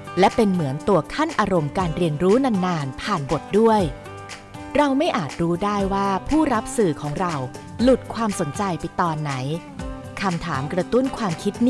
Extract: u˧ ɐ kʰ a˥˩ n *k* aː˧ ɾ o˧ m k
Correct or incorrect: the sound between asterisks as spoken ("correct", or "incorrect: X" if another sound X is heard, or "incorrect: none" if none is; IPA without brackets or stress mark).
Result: incorrect: ʔ